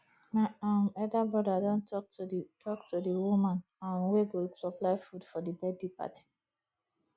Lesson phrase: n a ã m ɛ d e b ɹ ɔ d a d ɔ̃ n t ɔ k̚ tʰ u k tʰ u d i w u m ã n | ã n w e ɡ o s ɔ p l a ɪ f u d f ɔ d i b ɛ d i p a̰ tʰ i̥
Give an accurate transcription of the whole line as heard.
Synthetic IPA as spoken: n a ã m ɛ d a b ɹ ɔ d a d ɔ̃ n t ɔ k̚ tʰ ɔ k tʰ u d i w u m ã n | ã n w e ɡ o s ɔ p l a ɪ f u d f ɔ d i b ɛ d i p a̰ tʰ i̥